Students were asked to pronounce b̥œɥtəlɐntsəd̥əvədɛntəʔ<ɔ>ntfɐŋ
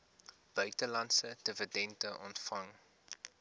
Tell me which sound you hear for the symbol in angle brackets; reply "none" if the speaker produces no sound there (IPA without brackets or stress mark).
ɔ